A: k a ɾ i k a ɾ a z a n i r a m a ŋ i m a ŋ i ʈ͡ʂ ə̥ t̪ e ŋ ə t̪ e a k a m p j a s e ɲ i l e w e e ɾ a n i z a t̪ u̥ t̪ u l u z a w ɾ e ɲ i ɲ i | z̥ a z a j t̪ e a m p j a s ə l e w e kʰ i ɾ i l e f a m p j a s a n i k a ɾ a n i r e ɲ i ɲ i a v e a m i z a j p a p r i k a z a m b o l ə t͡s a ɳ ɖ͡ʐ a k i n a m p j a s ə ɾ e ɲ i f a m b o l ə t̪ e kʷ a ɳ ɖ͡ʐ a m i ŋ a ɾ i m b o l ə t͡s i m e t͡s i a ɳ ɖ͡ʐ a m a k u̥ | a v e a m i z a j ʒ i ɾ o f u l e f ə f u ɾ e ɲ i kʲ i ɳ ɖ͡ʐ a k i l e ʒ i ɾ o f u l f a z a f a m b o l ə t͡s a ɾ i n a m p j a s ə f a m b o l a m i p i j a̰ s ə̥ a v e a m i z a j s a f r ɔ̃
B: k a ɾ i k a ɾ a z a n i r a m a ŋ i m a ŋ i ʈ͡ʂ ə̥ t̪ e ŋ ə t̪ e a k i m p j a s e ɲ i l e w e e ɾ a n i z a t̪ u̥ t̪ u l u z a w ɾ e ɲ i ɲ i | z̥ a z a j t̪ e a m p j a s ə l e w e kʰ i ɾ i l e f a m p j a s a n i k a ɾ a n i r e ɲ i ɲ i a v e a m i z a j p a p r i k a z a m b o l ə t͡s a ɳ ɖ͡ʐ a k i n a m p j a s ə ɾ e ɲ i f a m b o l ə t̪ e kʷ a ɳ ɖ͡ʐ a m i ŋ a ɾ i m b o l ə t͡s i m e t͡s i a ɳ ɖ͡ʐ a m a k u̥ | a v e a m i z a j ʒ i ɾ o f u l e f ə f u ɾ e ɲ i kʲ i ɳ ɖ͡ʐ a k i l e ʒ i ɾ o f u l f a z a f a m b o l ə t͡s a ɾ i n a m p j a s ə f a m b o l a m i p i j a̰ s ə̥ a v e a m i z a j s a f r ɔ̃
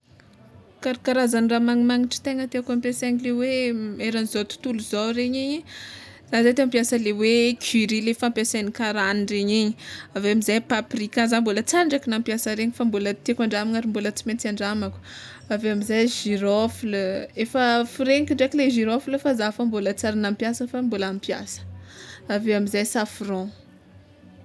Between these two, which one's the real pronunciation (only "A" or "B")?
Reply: A